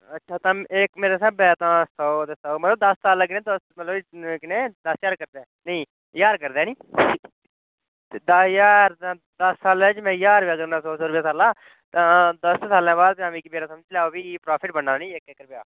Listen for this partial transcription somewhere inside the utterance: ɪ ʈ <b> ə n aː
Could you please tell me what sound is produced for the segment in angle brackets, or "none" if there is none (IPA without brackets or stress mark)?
b